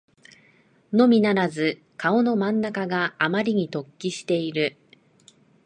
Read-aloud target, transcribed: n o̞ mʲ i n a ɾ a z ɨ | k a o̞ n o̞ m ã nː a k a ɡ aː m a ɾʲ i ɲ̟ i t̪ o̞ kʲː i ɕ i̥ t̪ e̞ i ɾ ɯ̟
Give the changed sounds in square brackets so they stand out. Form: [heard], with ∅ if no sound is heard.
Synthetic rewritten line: n o̞ mʲ i n a ɾ a z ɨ | k a o̞ n o̞ m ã nː a k a ɡ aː m a ɾʲ i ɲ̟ i t̪ o̞ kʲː i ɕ i̥ t̪ e̞ i ɾ ɯ̟

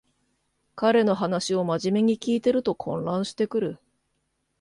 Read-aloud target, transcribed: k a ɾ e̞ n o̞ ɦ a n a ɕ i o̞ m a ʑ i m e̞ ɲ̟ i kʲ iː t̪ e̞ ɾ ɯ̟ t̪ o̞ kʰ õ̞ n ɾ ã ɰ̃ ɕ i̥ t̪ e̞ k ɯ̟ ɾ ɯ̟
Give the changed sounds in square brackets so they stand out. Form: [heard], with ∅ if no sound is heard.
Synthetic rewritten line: k a ɾ e̞ n o̞ ɦ a n a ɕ i o̞ m a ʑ i m e̞ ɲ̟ i kʲ iː t̪ e̞ ɾ ɯ̟ t̪ o̞ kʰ õ̞ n ɾ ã ɰ̃ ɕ i̥ t̪ e̞ k ɯ̟ ɾ ɯ̟

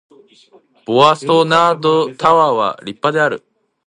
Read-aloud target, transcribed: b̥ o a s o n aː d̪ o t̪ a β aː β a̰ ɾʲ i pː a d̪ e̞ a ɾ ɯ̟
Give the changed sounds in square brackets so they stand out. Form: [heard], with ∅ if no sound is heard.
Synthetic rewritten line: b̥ o a s o n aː d̪ o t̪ a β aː β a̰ ɾʲ i pː a d̪ e̞ a ɾ ɯ̟

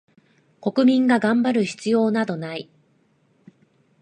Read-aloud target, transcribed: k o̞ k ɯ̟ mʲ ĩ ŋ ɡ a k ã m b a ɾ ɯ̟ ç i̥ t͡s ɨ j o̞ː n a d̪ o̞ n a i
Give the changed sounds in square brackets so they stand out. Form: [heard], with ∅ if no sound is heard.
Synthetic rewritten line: k o̞ k ɯ̟ mʲ ĩ ŋ ɡ a [ɡ] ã m b a ɾ ɯ̟ ç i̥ t͡s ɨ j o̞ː n a d̪ o̞ n a i

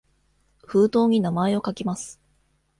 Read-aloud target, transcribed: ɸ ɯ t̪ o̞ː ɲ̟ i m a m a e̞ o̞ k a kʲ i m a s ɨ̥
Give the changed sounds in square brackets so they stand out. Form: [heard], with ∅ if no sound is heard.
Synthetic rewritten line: ɸ [ɯː] t̪ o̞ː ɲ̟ i [n] a m a e̞ o̞ k a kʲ i m a s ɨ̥

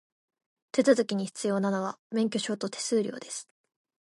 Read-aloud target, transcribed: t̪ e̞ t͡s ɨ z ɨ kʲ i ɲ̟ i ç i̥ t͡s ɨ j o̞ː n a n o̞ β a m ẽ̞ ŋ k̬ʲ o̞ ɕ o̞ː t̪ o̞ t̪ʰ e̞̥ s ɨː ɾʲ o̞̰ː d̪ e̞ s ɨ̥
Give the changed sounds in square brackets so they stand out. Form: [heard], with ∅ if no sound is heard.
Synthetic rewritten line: t̪ e̞ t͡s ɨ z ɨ kʲ i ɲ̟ i ç i̥ t͡s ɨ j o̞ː n a n o̞ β a m ẽ̞ ŋ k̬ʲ o̞ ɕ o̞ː t̪ o̞ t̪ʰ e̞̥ s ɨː ɾʲ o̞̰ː d̪ e̞ s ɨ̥

